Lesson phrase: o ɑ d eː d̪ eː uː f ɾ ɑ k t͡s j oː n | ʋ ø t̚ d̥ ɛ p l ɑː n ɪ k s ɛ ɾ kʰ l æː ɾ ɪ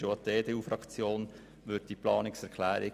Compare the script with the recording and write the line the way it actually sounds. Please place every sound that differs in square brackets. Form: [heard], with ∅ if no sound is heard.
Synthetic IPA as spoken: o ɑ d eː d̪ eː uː f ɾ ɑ k t͡s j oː n | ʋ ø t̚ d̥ [i] p l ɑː n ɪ k s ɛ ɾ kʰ l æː ɾ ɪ